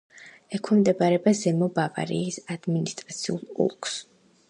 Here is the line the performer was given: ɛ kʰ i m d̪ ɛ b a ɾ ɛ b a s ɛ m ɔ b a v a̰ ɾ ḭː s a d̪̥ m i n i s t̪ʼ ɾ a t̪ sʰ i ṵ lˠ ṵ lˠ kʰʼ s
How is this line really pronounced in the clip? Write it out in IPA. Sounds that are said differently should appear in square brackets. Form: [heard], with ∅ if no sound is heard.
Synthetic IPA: ɛ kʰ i m d̪ ɛ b a ɾ ɛ b a [z] ɛ m ɔ b a v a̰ ɾ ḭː s a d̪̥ m i n i s t̪ʼ ɾ a t̪ sʰ i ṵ lˠ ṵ lˠ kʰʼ s